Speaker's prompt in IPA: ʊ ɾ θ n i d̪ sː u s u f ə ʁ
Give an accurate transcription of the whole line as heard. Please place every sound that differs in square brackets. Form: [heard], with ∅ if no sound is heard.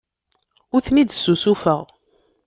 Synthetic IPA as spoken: ʊ ɾ θ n i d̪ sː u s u f ə ʁ